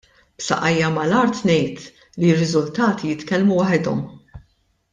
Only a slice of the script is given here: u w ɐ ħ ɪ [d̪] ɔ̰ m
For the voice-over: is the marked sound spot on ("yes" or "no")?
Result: yes